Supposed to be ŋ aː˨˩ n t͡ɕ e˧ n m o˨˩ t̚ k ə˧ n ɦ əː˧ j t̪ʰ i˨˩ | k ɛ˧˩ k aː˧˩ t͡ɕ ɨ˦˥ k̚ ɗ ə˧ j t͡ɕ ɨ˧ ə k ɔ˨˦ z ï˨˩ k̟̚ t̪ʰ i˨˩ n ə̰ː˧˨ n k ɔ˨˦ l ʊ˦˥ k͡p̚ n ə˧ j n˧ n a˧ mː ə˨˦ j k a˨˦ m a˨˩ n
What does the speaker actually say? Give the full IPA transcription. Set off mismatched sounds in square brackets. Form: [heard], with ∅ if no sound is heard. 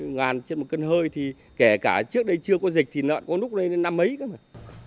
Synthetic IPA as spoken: ŋ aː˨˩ n t͡ɕ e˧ n m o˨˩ t̚ k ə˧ n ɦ əː˧ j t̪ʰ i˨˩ | k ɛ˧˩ k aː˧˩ t͡ɕ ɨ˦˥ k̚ ɗ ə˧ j t͡ɕ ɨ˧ ə k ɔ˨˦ z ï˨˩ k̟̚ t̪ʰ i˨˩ n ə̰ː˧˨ n k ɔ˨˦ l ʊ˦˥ k͡p̚ n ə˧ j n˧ n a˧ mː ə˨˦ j k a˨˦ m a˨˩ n